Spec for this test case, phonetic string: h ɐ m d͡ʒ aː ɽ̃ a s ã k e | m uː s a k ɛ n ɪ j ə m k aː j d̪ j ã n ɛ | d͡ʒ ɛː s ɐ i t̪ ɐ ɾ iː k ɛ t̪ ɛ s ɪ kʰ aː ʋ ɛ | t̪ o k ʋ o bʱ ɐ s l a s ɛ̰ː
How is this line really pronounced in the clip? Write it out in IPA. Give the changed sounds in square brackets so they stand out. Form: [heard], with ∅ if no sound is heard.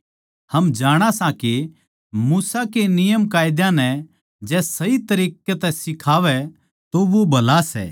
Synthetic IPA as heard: h ɐ m d͡ʒ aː ɽ̃ a s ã k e | m uː s a k [e] n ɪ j ə m k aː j d̪ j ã n ɛ | d͡ʒ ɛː s ɐ i t̪ ɐ ɾ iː k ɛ t̪ ɛ s ɪ kʰ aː ʋ ɛ | t̪ o [∅] ʋ o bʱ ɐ [∅] l a s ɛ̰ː